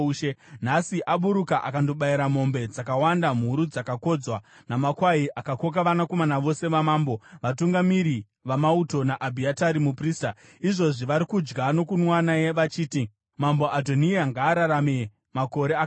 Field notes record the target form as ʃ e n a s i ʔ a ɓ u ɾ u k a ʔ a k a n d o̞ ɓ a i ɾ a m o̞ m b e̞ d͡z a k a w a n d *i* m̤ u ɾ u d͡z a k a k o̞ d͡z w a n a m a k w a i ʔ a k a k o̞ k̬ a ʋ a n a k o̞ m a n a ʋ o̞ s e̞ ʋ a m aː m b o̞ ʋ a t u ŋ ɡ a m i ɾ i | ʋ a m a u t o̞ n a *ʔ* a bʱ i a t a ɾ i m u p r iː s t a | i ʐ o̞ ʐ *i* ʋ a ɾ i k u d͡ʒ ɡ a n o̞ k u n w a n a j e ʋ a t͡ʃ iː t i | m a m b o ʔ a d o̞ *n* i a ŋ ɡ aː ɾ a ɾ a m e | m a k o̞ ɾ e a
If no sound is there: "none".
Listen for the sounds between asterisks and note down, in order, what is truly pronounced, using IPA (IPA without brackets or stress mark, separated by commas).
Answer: a, ʔ, i, n